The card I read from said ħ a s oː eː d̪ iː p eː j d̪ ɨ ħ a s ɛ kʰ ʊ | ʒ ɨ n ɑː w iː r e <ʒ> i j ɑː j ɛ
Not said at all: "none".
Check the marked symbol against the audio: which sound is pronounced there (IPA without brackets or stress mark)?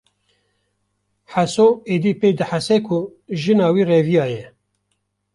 v